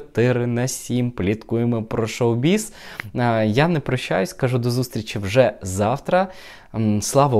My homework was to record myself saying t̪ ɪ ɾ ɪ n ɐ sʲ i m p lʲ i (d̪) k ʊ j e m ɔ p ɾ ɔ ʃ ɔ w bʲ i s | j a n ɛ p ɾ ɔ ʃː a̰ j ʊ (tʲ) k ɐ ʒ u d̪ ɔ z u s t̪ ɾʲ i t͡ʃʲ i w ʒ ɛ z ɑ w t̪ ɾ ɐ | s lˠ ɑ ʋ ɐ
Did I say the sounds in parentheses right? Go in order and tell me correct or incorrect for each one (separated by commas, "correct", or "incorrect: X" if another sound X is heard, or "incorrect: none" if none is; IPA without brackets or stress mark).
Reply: incorrect: t̪, incorrect: sʲ